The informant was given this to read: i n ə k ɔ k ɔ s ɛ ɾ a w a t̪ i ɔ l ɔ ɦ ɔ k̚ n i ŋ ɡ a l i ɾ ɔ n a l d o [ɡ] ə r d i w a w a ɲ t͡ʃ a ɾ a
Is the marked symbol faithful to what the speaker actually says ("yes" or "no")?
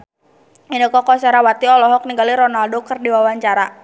no